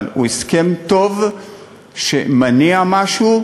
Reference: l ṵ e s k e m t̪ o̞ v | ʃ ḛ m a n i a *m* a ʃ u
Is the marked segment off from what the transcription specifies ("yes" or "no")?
no